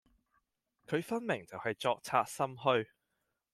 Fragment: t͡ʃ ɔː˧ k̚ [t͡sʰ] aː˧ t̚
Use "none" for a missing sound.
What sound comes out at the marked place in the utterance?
t͡sʰ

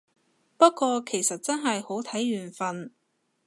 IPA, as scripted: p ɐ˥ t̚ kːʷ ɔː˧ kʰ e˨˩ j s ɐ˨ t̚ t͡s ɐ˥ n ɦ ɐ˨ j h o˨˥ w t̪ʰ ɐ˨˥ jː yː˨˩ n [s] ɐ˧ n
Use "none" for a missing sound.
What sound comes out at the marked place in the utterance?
f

